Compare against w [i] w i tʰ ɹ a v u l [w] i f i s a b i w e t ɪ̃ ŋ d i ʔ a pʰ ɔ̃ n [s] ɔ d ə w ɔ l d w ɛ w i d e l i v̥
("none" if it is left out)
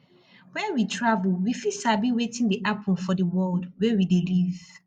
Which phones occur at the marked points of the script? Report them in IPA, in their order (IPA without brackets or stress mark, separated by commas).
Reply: ɛ, w, f